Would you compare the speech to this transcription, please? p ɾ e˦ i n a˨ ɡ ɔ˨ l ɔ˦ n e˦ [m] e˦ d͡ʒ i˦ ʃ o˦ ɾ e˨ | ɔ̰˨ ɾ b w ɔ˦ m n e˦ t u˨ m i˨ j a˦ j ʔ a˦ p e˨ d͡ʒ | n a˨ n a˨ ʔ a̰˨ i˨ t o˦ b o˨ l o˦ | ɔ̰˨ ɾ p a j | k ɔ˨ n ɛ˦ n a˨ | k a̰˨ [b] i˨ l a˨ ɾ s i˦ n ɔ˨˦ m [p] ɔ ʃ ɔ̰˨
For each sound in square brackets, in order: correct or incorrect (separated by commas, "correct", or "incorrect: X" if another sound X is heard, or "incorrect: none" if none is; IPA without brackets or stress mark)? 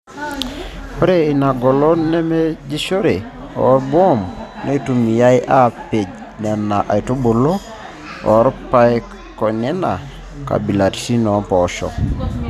correct, correct, correct